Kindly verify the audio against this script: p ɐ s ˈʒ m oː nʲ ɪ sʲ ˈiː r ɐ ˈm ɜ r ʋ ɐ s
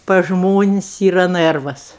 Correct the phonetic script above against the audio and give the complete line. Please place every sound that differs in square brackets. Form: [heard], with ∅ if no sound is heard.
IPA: p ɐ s ˈʒ m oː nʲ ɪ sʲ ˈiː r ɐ [ˈn] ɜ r ʋ ɐ s